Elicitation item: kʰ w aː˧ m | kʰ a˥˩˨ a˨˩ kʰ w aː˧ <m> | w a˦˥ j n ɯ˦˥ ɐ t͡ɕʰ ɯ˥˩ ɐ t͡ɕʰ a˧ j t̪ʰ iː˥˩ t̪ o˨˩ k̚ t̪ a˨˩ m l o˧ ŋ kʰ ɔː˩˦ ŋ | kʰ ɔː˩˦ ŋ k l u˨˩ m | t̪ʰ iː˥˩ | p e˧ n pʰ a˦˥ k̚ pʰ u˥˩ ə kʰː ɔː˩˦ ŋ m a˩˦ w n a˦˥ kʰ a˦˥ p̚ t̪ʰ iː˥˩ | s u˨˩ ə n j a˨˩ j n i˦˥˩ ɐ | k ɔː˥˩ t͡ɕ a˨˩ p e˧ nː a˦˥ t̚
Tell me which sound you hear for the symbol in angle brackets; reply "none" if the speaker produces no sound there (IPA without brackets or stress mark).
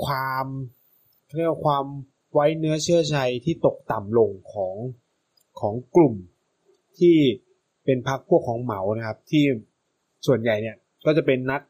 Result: m